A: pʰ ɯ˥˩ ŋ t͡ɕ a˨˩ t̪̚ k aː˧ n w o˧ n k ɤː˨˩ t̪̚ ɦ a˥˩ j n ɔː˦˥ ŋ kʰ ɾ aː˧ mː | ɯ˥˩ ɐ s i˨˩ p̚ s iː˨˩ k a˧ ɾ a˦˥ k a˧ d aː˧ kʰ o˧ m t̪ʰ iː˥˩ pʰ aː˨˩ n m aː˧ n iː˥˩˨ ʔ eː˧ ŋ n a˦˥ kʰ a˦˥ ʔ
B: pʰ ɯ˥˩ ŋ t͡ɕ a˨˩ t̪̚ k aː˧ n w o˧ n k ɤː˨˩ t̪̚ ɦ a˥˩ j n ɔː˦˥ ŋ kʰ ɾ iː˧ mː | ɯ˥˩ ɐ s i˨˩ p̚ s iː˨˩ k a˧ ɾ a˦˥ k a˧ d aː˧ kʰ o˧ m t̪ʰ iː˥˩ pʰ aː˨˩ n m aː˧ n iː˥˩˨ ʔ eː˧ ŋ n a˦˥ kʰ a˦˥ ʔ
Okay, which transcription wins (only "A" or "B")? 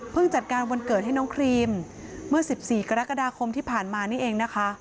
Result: B